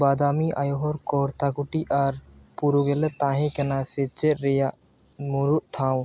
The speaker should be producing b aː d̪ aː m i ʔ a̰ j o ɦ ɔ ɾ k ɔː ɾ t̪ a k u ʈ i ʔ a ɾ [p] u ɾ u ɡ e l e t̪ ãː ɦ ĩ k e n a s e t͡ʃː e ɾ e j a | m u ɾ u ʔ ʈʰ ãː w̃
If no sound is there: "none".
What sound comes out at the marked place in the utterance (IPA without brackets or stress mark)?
p